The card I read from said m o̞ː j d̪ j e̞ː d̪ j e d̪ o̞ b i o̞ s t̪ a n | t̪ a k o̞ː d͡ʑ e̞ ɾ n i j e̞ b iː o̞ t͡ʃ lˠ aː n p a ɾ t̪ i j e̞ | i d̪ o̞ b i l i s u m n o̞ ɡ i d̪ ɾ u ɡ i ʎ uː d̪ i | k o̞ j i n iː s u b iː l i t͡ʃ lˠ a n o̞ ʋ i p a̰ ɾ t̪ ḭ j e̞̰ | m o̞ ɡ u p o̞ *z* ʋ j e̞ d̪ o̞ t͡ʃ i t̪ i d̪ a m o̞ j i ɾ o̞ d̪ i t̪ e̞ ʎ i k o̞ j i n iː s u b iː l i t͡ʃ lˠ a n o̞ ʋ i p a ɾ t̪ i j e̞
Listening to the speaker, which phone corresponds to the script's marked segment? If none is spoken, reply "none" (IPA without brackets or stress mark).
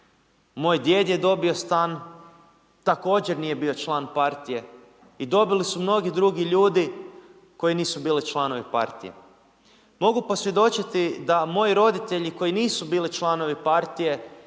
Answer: s